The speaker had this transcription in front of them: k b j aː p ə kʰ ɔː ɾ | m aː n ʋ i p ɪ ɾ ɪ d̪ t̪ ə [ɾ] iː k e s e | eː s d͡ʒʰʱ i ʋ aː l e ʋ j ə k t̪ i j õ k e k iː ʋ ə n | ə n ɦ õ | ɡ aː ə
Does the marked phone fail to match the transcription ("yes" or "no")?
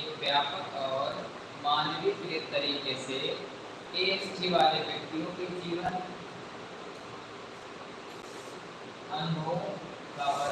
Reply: no